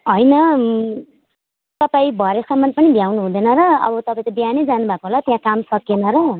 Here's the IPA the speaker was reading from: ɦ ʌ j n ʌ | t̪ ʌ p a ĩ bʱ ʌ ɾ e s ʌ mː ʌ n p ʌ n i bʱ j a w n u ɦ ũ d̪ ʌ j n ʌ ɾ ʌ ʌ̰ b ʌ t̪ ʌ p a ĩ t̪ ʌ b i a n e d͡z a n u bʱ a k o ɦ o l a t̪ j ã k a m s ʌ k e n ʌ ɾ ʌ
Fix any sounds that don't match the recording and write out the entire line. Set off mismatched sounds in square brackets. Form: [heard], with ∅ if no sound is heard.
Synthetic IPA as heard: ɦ ʌ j n ʌ | t̪ ʌ p a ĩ bʱ ʌ ɾ e s ʌ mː ʌ n p ʌ n i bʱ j a w n u ɦ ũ d̪ ʌ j n ʌ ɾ ʌ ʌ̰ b ʌ t̪ ʌ p a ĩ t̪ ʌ b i a n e d͡z a n u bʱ a k o ɦ o l a t̪ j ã k a m s ʌ k e n ʌ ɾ ʌ